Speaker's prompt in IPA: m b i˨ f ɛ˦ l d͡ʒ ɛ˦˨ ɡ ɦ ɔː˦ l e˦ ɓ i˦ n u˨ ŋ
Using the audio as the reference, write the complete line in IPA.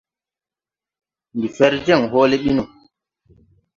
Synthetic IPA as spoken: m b i˨ f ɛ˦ ɾ d͡ʒ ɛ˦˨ ŋ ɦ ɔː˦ l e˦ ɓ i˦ n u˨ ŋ